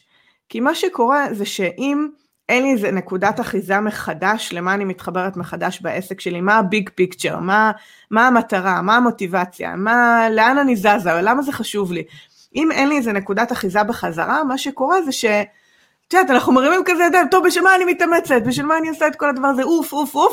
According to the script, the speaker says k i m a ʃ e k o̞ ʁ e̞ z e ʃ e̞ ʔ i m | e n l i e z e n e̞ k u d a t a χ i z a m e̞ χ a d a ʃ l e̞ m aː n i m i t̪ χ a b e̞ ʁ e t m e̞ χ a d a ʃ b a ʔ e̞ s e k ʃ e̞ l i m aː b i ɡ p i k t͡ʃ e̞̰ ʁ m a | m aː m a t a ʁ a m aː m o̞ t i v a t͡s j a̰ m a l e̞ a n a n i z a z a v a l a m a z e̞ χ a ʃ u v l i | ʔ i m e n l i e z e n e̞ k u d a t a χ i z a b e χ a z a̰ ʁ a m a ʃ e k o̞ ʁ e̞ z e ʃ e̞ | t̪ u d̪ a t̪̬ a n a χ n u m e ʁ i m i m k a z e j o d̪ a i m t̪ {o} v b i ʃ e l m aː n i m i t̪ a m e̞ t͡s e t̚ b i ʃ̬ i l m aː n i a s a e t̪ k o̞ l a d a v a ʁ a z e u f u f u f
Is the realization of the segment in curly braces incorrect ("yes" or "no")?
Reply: no